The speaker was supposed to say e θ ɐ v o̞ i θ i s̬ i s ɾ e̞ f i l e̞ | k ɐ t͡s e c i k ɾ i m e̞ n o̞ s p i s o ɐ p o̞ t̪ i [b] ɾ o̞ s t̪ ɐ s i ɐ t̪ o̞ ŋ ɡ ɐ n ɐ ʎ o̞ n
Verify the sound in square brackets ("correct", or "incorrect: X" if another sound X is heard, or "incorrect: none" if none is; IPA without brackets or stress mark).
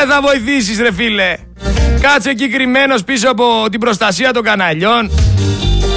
correct